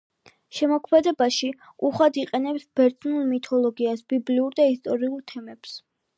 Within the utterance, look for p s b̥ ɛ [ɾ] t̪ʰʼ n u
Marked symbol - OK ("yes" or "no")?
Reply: yes